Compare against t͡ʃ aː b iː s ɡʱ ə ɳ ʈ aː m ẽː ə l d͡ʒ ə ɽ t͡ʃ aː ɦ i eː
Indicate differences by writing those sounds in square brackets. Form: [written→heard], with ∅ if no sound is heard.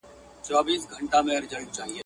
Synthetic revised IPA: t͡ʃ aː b iː s ɡʱ ə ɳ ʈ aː m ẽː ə [l→ɾ] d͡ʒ ə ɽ t͡ʃ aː ɦ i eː